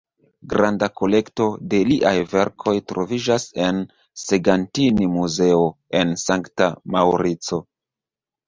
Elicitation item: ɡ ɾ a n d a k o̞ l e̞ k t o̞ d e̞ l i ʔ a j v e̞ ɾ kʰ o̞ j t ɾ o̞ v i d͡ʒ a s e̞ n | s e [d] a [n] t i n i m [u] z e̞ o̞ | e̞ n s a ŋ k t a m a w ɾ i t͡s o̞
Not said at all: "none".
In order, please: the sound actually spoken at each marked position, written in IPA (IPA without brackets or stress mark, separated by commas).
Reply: ɡ, n, u